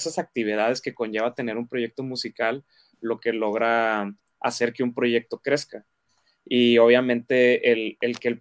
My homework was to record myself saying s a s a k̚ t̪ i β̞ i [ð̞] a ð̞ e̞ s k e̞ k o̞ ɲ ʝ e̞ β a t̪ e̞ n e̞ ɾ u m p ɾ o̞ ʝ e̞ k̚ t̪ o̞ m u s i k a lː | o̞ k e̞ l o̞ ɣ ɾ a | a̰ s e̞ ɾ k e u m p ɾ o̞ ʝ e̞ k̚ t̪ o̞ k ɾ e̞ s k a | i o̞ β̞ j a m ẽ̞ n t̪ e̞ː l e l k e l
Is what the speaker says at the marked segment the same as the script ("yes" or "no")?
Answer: yes